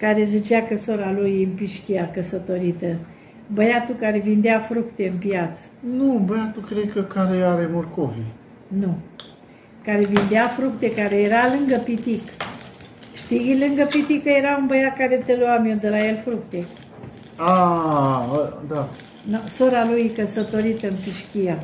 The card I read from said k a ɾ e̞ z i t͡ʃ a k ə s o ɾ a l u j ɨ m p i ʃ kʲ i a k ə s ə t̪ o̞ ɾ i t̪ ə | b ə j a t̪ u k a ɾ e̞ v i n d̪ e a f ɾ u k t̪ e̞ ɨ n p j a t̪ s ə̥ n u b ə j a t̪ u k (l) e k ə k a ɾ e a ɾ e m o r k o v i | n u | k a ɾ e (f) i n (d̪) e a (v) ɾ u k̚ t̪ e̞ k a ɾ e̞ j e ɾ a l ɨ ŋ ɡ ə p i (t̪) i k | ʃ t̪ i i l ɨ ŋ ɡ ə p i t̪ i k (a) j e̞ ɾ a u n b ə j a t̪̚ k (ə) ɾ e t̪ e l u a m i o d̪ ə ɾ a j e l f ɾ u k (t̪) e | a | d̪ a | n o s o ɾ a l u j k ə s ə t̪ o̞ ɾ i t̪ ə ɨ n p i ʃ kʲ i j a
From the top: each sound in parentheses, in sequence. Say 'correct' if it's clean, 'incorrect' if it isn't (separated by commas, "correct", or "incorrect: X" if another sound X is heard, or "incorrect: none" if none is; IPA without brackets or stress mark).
incorrect: ɾ, incorrect: v, correct, incorrect: f, correct, incorrect: ə, incorrect: a, correct